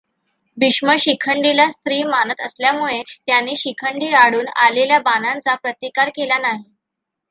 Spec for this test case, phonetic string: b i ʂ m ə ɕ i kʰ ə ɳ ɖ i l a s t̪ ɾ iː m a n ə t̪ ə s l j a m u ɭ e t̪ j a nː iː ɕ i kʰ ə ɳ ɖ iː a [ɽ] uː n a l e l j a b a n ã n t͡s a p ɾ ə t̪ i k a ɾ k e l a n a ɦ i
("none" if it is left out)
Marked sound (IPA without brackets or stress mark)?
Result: ɽ